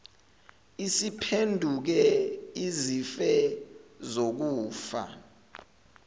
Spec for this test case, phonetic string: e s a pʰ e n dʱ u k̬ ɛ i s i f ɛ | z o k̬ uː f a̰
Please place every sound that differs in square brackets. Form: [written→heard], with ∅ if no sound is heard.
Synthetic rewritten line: [e→i] s [a→i] pʰ e n dʱ u k̬ ɛ i [s→z] i f ɛ | z o k̬ uː f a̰